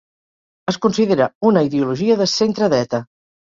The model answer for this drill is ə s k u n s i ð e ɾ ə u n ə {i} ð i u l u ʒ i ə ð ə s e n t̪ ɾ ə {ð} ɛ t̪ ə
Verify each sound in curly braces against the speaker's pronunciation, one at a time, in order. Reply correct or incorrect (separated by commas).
correct, correct